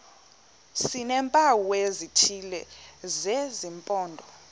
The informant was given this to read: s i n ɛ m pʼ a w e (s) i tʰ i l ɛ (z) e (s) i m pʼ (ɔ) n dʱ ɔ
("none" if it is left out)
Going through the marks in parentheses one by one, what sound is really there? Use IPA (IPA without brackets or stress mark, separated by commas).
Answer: z, z, z, ɔː